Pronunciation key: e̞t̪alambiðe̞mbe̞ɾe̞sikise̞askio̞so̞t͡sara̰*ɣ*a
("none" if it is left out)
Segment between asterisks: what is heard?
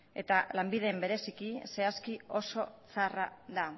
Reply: ð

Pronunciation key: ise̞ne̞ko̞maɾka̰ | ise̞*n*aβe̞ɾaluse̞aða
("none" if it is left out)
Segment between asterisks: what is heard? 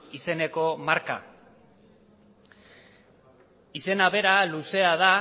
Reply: n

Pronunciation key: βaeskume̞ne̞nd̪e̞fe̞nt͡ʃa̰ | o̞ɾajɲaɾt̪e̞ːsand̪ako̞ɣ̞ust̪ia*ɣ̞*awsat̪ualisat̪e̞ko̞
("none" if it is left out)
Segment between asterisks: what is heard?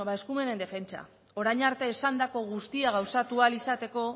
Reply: ɣ̞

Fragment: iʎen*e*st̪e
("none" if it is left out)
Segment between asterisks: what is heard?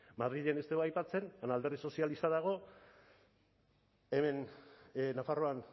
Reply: e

